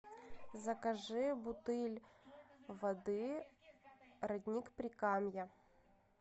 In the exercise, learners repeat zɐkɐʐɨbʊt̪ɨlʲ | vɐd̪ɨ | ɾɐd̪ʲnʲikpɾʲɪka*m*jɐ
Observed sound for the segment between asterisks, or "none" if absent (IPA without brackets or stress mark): m